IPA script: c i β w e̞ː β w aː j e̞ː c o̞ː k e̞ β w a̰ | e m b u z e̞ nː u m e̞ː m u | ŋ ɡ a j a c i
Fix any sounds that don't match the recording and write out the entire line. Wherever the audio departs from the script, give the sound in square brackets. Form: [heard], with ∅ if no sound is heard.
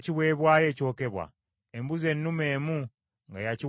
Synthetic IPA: c i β w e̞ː β w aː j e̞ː c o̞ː k e̞ β w a̰ | e m b u z e̞ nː u m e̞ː m u | ŋ ɡ a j a c i